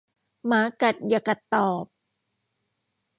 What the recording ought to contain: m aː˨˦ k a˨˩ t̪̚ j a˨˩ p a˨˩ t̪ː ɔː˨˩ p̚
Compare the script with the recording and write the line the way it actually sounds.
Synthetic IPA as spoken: m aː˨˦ k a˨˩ t̪̚ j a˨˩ k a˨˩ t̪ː ɔː˨˩ p̚